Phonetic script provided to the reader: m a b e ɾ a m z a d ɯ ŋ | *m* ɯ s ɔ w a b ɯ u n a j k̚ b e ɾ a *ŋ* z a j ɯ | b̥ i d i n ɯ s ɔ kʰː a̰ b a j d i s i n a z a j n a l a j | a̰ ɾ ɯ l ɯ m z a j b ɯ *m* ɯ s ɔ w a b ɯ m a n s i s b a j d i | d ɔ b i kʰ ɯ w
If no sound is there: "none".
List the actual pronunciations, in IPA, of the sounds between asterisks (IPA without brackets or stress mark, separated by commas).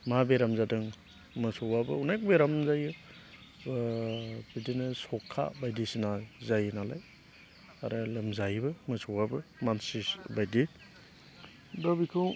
m, m, m